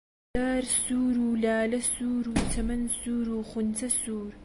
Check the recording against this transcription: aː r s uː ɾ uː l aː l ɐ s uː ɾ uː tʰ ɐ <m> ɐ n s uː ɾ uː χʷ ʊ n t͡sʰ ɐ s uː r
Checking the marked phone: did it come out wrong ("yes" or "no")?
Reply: no